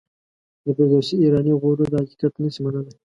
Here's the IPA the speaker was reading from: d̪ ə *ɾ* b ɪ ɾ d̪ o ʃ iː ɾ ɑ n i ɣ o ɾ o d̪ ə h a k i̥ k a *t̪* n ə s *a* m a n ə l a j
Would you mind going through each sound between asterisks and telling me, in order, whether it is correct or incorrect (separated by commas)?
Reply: incorrect, correct, incorrect